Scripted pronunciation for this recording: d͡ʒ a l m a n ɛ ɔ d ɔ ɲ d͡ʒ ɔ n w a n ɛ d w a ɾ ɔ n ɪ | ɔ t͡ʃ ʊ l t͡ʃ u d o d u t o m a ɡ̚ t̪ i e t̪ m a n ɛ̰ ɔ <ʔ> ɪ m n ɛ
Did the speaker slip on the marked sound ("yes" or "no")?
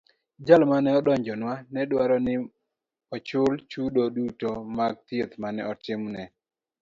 yes